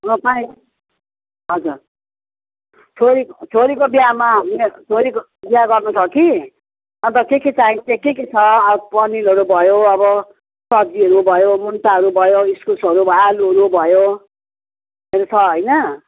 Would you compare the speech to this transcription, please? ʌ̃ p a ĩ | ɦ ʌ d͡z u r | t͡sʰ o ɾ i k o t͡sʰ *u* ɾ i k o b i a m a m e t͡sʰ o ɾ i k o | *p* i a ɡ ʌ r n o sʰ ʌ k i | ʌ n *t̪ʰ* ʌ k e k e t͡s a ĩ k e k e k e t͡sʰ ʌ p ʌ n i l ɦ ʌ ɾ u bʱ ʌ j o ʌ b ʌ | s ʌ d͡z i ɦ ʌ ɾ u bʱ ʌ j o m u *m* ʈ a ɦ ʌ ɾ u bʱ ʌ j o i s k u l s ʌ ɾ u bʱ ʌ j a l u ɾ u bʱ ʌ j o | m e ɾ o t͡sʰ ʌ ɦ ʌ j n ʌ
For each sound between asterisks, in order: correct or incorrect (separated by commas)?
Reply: incorrect, incorrect, incorrect, incorrect